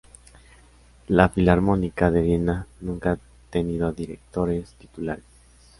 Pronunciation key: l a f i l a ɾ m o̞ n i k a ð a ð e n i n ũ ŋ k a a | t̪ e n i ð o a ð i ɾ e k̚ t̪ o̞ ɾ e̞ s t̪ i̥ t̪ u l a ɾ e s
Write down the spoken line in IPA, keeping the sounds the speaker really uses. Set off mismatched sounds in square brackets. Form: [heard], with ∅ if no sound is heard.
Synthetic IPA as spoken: l a f i l a ɾ m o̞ n i k a ð [e] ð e n [a] n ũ ŋ k a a | t̪ e n i ð o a ð i ɾ e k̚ t̪ o̞ ɾ e̞ s t̪ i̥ t̪ u l a ɾ e s